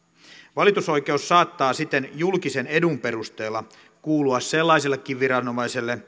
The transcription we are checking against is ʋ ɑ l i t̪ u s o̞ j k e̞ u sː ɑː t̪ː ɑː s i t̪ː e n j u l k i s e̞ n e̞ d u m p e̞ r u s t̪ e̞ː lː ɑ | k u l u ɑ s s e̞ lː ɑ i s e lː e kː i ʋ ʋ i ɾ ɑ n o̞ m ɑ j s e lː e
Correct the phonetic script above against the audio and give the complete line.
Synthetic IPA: ʋ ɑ l i t̪ u s o̞ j k e̞ u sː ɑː t̪ː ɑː s i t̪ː e n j u l k i s e̞ n e̞ d u m p e̞ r u s t̪ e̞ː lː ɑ | k uː l u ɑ s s e̞ lː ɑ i s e lː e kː i ʋ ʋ i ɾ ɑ n o̞ m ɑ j s e lː e